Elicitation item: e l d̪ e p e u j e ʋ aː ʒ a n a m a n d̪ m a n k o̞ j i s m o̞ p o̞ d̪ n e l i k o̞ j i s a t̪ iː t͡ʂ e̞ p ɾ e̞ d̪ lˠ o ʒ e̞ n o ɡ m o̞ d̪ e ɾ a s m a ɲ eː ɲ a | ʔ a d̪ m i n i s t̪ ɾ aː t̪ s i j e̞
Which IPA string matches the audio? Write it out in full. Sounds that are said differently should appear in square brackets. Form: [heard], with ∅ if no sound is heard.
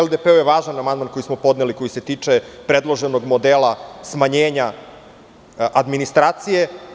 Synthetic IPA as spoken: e l d̪ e p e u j e ʋ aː ʒ a n a m a n d̪ m a n k o̞ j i s m o̞ p o̞ d̪ n e l i k o̞ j i s [e] t̪ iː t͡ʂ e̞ p ɾ e̞ d̪ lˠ o ʒ e̞ n o ɡ m o̞ d̪ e [l] a s m a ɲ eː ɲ a | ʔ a d̪ m i n i s t̪ ɾ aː t̪ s i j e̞

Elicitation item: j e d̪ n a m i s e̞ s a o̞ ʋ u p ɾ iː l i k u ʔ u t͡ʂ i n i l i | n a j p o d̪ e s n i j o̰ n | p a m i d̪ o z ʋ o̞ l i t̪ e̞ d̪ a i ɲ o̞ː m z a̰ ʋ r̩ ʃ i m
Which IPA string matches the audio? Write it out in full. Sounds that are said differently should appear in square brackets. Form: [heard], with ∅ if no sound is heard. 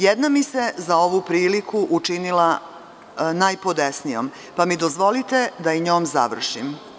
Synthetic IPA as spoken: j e d̪ n a m i s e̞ [z] a o̞ ʋ u p ɾ iː l i k u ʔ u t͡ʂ i n i l [a] | n a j p o d̪ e s n i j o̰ [m] | p a m i d̪ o z ʋ o̞ l i t̪ e̞ d̪ a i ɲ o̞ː m z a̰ ʋ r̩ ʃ i m

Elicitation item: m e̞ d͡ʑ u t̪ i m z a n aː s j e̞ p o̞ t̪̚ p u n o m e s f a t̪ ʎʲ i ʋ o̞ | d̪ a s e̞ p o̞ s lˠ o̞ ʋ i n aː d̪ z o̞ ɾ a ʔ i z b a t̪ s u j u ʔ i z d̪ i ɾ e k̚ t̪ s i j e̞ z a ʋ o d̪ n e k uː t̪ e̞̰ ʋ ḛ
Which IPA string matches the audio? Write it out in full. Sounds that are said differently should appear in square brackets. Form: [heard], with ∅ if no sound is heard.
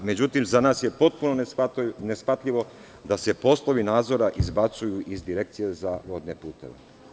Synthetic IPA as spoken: m e̞ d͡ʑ u t̪ i m z a n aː s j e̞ p o̞ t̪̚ p u n o [n] e s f a t̪ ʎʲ i ʋ o̞ | d̪ a s e̞ p o̞ s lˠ o̞ ʋ i n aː d̪ z o̞ ɾ a ʔ i z b a t̪ s u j u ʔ i z d̪ i ɾ e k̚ t̪ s i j e̞ z a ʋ o d̪ n e [p] uː t̪ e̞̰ ʋ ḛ

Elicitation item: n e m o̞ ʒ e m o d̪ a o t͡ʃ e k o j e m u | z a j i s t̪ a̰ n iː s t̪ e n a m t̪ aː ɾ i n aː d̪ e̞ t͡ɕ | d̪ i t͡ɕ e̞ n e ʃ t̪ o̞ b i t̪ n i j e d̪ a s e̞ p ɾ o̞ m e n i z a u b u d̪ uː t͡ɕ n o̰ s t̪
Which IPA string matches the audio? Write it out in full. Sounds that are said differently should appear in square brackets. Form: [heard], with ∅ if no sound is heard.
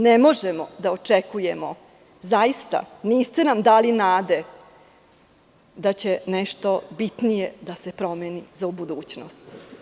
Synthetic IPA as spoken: n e m o̞ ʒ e m o d̪ a o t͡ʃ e k [u] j e m [o] | z a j i s t̪ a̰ n iː s t̪ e n a m [d̪] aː [l] i n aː d̪ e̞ [∅] | d̪ [a] t͡ɕ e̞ n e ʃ t̪ o̞ b i t̪ n i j e d̪ a s e̞ p ɾ o̞ m e n i z a u b u d̪ uː t͡ɕ n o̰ s t̪

